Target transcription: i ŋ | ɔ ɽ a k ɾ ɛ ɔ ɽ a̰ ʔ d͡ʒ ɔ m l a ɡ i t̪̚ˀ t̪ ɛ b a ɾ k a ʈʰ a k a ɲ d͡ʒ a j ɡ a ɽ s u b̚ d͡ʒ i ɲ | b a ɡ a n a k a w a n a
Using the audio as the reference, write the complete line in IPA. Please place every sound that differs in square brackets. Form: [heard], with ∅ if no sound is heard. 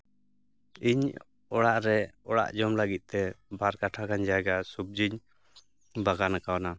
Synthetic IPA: i [ɲ] | ɔ ɽ a [ʔ] ɾ ɛ ɔ ɽ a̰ ʔ d͡ʒ ɔ m l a ɡ i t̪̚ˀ t̪ ɛ b a ɾ k a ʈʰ a k a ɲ d͡ʒ a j ɡ a [∅] s u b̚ d͡ʒ i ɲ | b a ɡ a n a k a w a n a

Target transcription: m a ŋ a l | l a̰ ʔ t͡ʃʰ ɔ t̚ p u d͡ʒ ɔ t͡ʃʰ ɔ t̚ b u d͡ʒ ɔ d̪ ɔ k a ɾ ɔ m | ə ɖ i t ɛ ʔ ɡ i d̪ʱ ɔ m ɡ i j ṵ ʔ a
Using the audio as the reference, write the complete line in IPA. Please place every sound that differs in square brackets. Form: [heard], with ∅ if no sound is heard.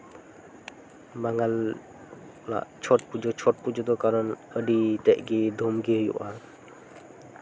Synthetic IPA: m a ŋ a l | l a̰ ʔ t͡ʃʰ ɔ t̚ p u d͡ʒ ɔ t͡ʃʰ ɔ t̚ [p] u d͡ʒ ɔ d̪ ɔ k a ɾ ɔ [n] | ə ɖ i t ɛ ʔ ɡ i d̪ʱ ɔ m ɡ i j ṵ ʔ a

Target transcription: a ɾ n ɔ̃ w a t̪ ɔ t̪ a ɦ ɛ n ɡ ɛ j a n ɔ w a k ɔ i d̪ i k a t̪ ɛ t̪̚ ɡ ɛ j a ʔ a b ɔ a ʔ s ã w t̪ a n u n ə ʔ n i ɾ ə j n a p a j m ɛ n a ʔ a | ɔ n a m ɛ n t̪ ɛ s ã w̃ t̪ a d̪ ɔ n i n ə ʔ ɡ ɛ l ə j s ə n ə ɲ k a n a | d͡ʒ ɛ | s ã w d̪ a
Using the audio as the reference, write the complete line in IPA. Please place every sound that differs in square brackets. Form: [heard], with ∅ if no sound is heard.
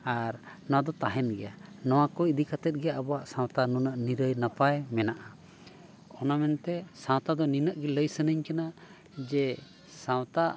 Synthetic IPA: a ɾ n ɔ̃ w a [d̪] ɔ t̪ a ɦ ɛ n ɡ ɛ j a n ɔ w a k ɔ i d̪ i k a t̪ ɛ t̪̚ ɡ ɛ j a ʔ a b ɔ a ʔ s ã w t̪ a n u n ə ʔ n i ɾ ə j n a p a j m ɛ n a ʔ a | ɔ n a m ɛ n t̪ ɛ s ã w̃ t̪ a d̪ ɔ n i n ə ʔ ɡ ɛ l ə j s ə n ə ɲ k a n a | d͡ʒ ɛ | s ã w [t̪] a

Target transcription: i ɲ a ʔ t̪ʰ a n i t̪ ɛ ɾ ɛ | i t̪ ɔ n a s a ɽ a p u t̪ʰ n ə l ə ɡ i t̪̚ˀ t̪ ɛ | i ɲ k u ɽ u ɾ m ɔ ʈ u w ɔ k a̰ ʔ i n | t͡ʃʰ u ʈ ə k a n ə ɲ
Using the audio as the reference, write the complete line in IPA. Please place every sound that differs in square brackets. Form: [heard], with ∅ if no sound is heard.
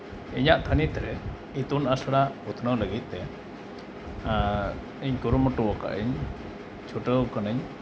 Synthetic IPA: i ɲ a ʔ t̪ʰ a n i t̪ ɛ ɾ ɛ | i t̪ [u] n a s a ɽ a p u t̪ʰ n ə l ə ɡ i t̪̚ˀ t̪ ɛ | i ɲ k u [ɾ] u [∅] m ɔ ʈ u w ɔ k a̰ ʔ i [ɲ] | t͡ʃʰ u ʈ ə k a n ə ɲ

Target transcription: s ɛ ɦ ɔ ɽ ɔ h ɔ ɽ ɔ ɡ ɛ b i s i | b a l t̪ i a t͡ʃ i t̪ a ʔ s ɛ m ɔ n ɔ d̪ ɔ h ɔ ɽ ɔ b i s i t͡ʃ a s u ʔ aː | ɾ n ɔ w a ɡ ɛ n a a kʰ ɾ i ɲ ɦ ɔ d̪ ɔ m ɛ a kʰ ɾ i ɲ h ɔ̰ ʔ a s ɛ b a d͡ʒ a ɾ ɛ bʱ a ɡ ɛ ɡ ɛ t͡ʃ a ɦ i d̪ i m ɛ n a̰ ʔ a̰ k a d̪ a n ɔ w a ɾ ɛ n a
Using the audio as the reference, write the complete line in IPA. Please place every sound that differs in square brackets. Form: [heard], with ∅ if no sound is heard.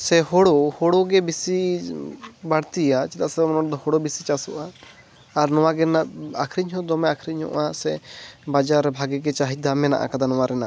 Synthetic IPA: s ɛ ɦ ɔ ɽ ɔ h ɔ ɽ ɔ ɡ ɛ b i s i | b a [ɽ] t̪ i a t͡ʃ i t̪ a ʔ s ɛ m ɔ n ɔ d̪ ɔ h ɔ ɽ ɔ b i s i t͡ʃ a s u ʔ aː | ɾ n ɔ w a ɡ ɛ n a a kʰ ɾ i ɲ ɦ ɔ d̪ ɔ m ɛ a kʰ ɾ i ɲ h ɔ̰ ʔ a s ɛ b a d͡ʒ a ɾ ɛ bʱ a ɡ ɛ ɡ ɛ t͡ʃ a ɦ i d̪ [a] m ɛ n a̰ ʔ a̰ k a d̪ a n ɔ w a ɾ ɛ n a

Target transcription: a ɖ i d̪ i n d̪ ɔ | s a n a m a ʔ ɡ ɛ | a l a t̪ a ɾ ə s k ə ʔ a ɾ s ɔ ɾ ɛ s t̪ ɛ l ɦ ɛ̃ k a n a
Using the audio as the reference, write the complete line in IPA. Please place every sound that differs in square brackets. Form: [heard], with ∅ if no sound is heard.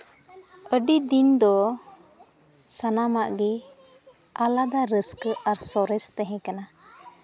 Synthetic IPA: [ə] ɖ i d̪ i n d̪ ɔ | s a n a m a ʔ ɡ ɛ | a l a [d̪] a ɾ ə s k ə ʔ a ɾ s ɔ ɾ ɛ s t̪ ɛ [∅] ɦ ɛ̃ k a n a

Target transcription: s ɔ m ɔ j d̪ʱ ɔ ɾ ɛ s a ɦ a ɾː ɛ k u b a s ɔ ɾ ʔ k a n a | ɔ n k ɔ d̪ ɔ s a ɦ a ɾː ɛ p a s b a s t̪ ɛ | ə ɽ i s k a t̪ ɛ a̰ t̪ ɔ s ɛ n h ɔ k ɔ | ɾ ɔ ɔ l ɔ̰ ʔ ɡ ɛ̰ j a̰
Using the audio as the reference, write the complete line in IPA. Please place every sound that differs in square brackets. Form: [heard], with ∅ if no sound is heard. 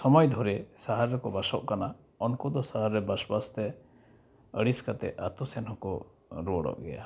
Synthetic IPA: s ɔ m ɔ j d̪ʱ ɔ ɾ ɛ s a ɦ a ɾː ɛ k [ɔ] b a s ɔ [∅] ʔ k a n a | ɔ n k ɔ d̪ ɔ s a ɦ a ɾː ɛ [b] a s b a s t̪ ɛ | ə ɽ i s k a t̪ ɛ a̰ t̪ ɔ s ɛ n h ɔ k ɔ | ɾ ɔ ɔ [ɽ] ɔ̰ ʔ ɡ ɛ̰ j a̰

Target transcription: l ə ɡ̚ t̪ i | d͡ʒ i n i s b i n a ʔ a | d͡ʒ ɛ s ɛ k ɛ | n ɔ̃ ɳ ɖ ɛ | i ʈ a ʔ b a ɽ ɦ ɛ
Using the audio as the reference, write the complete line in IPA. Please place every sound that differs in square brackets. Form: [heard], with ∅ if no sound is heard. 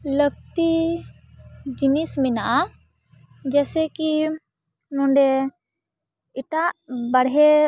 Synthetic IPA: l ə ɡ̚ t̪ i | d͡ʒ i n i s [m] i n a ʔ a | d͡ʒ ɛ s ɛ k [i] | n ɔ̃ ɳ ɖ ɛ | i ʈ a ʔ b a ɽ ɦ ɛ

